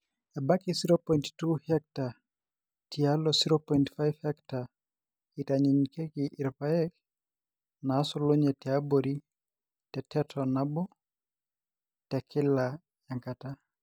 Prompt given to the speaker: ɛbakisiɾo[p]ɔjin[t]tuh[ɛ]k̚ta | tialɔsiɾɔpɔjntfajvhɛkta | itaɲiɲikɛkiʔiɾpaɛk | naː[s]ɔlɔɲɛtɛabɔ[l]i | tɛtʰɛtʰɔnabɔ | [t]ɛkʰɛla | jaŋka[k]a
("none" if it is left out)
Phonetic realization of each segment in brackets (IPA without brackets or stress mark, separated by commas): p, t, ɛ, s, ɾ, t, t